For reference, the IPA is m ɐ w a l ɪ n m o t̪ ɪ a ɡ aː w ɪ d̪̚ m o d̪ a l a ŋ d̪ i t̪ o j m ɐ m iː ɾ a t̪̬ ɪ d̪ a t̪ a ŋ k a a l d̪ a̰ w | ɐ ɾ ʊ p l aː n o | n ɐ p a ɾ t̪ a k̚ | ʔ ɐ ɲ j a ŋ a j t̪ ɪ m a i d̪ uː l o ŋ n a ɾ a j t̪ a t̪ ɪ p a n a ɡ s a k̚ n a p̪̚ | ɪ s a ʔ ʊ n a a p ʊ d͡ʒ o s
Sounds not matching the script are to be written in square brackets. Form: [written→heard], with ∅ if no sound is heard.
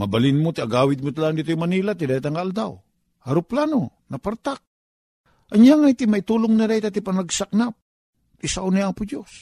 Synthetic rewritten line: m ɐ [w→b] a l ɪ n m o t̪ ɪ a ɡ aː w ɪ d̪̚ m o [d̪→t̪] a l a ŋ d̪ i t̪ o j m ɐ [m→n] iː [ɾ→l] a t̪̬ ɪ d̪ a t̪ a ŋ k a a l d̪ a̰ w | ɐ ɾ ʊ p l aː n o | n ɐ p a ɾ t̪ a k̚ | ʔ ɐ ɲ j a ŋ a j t̪ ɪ m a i [d̪→t̪] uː l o ŋ n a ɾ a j t̪ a t̪ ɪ p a n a ɡ s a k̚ n a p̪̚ | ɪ s a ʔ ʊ n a a p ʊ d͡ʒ o s